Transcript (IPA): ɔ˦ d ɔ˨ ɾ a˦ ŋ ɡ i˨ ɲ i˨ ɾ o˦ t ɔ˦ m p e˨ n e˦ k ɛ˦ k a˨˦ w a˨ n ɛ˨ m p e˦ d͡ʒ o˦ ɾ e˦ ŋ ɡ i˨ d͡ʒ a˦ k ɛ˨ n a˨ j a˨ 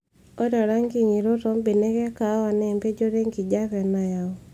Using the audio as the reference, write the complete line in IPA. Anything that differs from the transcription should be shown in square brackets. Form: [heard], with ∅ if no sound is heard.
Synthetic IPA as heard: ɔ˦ d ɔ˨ ɾ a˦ ŋ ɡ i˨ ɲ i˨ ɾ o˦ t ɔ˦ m [b] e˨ n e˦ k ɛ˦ k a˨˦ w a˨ n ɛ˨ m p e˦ d͡ʒ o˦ ɾ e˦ ŋ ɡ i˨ d͡ʒ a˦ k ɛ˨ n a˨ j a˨